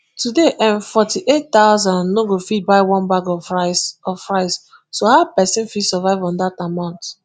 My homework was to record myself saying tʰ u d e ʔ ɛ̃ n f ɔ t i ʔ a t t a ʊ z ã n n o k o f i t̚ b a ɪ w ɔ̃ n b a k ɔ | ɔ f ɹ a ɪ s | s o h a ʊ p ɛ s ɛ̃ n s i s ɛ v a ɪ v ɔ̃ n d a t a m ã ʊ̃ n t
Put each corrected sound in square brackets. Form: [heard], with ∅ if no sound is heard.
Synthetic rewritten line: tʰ u d e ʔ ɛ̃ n f ɔ t i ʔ [e] t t a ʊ z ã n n o [ɡ] o f i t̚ b a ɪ w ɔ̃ n b a [ɡ] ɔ | ɔ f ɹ a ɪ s | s o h a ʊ p ɛ s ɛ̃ n [f] i s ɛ v a ɪ v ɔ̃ n d a t a m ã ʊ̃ n t